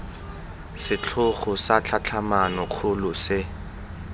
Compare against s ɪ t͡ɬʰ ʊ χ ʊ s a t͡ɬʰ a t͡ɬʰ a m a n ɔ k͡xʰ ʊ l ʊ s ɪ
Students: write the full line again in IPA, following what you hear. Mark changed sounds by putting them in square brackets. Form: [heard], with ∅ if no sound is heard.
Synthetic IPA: s ɪ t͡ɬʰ ʊ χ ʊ s a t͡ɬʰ a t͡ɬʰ a m a n ɔ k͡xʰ ʊ l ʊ s ɪ